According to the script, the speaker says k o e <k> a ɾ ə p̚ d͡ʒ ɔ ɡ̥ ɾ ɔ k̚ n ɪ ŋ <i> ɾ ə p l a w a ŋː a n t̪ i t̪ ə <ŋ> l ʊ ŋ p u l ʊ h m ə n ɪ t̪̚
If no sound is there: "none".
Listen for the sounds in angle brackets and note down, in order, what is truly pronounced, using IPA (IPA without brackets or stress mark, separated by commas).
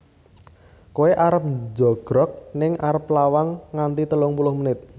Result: ʔ, a, none